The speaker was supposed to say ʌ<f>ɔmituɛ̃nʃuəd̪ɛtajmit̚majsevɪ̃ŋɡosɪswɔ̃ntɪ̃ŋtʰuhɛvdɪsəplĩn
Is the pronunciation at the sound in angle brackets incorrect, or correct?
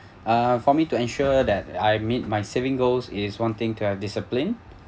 correct